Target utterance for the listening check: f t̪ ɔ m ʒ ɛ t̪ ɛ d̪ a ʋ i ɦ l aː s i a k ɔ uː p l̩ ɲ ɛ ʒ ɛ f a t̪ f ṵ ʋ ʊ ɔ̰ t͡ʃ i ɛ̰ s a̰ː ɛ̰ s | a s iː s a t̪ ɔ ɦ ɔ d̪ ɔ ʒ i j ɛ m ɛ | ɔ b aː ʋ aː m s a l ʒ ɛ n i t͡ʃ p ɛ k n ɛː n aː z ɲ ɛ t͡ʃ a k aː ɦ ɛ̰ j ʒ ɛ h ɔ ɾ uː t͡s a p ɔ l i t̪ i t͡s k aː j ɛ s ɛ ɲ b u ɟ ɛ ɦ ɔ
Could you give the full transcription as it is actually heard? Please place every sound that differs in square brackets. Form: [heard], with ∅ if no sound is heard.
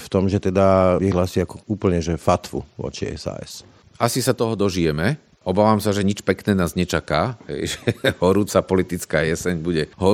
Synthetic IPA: f t̪ ɔ m ʒ ɛ t̪ ɛ d̪ a ʋ i ɦ l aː s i a k ɔ uː p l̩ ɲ ɛ ʒ ɛ f a t̪ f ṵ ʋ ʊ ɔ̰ t͡ʃ i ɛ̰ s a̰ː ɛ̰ s | a s [i] s a t̪ ɔ ɦ ɔ d̪ ɔ ʒ i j ɛ m ɛ | ɔ b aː ʋ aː m s a [∅] ʒ ɛ [ɲ] i t͡ʃ p ɛ k n ɛː n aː z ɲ ɛ t͡ʃ a k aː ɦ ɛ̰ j ʒ ɛ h ɔ ɾ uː t͡s a p ɔ l i t̪ i t͡s k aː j ɛ s ɛ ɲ b u ɟ ɛ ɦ ɔ